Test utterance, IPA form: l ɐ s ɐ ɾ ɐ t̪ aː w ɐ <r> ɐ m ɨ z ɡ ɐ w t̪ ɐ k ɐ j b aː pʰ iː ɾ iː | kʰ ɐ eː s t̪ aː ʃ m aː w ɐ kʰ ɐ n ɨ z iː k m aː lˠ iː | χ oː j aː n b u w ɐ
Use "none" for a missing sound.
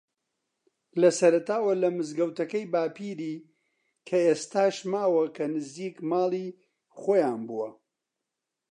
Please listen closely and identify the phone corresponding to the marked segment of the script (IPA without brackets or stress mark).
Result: l